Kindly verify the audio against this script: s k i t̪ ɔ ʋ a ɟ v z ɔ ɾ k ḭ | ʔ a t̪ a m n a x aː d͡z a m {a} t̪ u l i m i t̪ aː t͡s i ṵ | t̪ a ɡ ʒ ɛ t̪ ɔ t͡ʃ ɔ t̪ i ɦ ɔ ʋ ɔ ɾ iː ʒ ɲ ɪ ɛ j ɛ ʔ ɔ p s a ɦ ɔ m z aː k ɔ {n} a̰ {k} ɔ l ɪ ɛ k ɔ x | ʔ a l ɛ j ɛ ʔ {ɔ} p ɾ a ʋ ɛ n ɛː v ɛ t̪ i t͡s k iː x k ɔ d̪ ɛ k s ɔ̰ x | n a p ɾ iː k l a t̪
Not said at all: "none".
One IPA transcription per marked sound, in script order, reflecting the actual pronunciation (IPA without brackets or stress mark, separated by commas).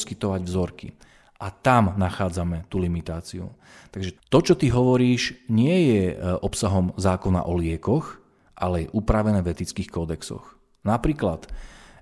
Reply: ɛ, n, ʔ, u